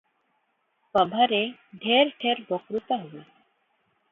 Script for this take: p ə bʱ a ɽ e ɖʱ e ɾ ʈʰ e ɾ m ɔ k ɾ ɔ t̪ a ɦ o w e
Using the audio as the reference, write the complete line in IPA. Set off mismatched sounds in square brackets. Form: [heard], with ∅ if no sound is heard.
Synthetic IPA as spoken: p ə bʱ a [ɾ] e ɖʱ e ɾ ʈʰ e ɾ [b] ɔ k ɾ [u] t̪ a ɦ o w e